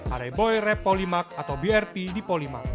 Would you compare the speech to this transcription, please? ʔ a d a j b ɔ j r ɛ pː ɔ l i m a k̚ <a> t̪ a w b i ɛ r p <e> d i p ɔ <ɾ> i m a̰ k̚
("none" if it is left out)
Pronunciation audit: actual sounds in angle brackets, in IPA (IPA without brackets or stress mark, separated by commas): a, i, l